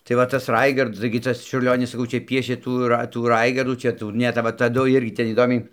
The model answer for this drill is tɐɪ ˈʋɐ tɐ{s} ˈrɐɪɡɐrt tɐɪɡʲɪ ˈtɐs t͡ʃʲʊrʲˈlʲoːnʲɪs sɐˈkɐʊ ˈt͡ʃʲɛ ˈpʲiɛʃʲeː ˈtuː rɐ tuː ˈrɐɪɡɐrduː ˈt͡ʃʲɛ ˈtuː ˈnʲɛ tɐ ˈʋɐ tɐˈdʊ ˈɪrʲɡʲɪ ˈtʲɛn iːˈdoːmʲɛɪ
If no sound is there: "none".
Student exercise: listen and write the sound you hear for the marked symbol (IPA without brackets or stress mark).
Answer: s